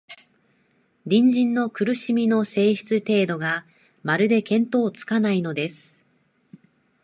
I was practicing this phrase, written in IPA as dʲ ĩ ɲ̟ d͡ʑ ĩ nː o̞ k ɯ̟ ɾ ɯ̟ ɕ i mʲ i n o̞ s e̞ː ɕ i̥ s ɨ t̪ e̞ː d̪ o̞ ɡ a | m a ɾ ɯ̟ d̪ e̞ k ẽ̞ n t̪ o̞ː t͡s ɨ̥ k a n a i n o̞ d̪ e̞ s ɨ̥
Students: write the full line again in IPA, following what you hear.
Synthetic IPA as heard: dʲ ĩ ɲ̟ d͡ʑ ĩ nː o̞ k ɯ̟ ɾ ɯ̟ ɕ i mʲ i n o̞ s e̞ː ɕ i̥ t͡s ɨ t̪ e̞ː d̪ o̞ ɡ a | m a ɾ ɯ̟ d̪ e̞ k ẽ̞ n t̪ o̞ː t͡s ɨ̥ k a n a i n o̞ d̪ e̞ s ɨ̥